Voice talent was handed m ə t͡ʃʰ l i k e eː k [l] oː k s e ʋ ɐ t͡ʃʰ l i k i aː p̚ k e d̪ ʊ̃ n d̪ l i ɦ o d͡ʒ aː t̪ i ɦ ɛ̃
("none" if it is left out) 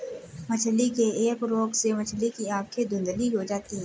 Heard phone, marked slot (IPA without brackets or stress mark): ɾ